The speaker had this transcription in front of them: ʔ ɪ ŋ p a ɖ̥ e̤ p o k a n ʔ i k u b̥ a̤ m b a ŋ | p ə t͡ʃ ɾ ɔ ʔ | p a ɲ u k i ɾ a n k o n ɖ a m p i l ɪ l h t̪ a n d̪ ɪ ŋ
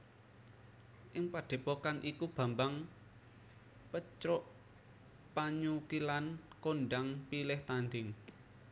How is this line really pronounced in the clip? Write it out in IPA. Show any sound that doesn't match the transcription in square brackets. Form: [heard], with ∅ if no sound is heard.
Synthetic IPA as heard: ʔ ɪ ŋ p a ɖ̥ e̤ p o k a n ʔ i k u b̥ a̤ m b a ŋ | p ə t͡ʃ ɾ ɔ ʔ | p a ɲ u k i [l] a n k o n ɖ a [ŋ] p i l ɪ [∅] h t̪ a n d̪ ɪ ŋ